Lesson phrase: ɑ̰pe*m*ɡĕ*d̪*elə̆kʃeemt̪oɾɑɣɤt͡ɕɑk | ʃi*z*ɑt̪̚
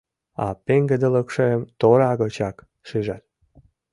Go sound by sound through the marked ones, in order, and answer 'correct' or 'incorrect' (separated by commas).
incorrect, correct, incorrect